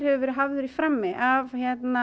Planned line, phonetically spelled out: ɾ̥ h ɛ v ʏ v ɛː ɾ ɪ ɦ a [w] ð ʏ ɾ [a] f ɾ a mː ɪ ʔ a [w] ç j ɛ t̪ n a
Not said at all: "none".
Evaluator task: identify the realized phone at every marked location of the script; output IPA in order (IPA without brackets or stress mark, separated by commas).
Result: v, i, v